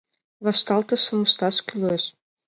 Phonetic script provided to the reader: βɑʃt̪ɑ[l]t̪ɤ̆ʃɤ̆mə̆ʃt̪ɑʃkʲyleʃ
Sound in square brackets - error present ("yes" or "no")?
no